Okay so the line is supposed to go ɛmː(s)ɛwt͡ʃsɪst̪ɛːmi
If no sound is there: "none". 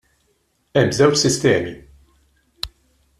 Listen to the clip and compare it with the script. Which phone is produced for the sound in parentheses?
z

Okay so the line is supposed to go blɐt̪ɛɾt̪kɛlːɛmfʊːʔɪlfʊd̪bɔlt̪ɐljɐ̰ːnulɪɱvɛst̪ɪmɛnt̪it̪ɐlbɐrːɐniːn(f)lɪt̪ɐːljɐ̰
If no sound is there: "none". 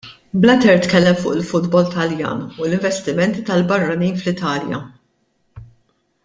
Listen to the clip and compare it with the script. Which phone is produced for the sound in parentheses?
f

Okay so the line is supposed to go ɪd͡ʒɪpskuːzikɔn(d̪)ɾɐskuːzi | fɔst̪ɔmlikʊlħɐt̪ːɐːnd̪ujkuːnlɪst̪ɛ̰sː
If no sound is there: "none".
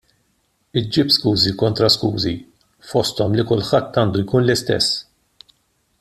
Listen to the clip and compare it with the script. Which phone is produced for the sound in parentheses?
t̪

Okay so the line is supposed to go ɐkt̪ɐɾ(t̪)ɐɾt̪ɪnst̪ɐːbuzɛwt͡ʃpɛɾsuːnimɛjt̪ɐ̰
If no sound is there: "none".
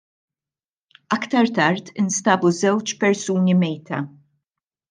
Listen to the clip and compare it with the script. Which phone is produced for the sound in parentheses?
t̪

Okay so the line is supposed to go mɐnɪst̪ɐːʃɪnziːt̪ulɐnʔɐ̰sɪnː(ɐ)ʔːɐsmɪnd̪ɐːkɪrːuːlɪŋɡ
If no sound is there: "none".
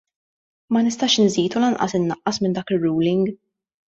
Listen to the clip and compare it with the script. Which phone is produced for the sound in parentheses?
ɐ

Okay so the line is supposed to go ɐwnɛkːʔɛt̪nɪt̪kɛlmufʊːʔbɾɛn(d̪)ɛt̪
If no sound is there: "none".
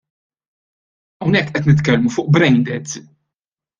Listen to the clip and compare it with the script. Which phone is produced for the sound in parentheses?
d̪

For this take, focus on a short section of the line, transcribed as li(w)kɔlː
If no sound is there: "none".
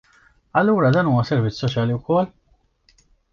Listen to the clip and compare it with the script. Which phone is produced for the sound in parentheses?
w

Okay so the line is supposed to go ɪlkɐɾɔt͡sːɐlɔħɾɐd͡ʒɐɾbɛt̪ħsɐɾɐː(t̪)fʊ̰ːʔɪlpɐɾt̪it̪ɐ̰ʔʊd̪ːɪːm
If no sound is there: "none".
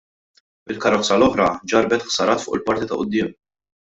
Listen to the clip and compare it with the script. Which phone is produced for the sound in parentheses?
t̪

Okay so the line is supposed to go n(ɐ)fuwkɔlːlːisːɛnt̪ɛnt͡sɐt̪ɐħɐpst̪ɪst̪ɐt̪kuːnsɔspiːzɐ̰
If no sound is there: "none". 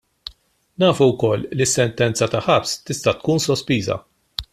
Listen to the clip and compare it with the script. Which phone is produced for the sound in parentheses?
ɐː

